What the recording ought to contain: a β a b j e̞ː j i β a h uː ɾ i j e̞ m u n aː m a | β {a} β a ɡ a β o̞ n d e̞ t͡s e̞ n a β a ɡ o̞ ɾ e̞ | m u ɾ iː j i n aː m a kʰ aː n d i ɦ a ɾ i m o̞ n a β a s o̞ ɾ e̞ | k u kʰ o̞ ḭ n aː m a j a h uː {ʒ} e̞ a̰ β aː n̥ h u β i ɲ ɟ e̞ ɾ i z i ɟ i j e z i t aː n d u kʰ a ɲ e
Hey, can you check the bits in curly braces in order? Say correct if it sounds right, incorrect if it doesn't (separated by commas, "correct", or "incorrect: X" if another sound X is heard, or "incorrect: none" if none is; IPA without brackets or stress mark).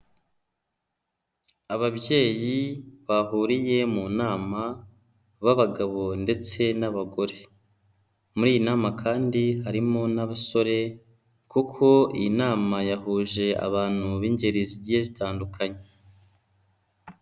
correct, correct